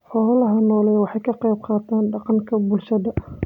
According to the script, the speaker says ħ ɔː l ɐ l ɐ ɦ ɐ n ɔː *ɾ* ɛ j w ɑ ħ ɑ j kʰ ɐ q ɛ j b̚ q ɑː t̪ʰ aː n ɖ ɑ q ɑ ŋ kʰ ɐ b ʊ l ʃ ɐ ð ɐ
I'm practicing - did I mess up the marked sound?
yes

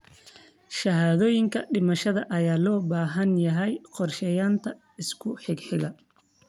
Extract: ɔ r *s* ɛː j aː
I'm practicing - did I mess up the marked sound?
yes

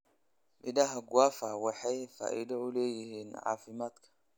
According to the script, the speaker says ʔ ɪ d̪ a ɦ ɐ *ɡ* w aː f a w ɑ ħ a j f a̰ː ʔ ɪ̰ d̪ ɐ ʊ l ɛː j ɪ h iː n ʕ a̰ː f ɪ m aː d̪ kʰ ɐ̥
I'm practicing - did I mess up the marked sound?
no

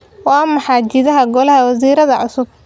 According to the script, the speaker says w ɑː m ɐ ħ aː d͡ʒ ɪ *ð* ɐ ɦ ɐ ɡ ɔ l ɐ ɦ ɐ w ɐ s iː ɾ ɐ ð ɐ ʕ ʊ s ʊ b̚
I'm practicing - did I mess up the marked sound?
no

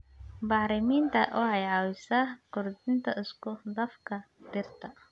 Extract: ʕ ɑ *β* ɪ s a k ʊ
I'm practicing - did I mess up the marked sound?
yes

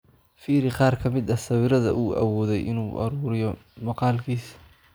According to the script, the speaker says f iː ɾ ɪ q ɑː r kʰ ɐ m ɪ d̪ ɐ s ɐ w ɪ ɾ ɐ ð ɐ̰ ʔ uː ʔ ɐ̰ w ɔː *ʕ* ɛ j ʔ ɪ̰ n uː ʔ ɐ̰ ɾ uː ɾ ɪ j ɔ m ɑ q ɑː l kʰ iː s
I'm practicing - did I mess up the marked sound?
yes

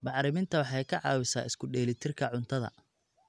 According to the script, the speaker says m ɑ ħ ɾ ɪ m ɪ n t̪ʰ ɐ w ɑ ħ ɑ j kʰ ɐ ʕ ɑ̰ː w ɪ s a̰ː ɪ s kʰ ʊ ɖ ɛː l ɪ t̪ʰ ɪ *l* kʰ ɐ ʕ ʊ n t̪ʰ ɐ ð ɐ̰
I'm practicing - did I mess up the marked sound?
yes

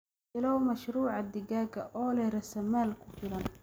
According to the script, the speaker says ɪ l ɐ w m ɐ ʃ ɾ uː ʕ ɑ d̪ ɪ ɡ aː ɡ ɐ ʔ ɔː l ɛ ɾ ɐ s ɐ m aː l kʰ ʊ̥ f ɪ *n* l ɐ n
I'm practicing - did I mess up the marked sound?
yes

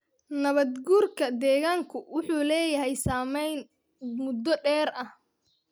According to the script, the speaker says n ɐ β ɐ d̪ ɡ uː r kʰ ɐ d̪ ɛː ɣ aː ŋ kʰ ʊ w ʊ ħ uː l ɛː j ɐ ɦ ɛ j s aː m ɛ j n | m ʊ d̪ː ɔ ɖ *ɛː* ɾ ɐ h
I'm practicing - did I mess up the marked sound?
no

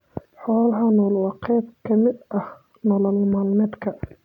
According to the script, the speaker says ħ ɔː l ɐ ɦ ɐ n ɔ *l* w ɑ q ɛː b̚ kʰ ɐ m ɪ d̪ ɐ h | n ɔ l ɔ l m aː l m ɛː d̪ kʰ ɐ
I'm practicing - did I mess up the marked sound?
no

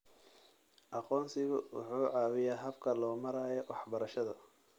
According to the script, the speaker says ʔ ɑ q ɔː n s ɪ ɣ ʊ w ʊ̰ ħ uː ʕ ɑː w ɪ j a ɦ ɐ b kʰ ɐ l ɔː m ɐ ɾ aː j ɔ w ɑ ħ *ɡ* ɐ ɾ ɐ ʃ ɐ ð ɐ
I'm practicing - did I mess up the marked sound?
yes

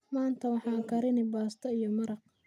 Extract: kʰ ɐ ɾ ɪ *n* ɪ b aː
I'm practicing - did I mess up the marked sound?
no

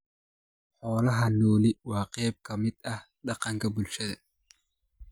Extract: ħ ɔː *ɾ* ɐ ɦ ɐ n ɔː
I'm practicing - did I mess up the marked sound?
yes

